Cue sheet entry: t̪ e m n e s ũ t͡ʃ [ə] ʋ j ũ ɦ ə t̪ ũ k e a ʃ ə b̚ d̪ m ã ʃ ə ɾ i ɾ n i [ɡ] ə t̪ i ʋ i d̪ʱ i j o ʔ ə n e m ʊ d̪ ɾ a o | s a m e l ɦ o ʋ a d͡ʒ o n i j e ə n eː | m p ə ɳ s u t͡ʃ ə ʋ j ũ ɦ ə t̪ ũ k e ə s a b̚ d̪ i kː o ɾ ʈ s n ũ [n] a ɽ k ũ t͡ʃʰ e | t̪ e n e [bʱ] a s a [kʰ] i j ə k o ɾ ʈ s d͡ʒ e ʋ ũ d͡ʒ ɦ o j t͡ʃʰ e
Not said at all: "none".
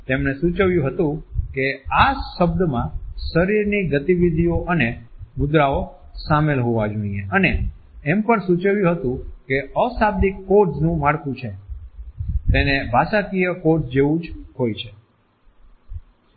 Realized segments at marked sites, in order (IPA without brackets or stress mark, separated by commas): ə, ɡ, m, bʱ, k